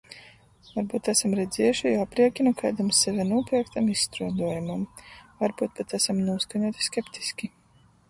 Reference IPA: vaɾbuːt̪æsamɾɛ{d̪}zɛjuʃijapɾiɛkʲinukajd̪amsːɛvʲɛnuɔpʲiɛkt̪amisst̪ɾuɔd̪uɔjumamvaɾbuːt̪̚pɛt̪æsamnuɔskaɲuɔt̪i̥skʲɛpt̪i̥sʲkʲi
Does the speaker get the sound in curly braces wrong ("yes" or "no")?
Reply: no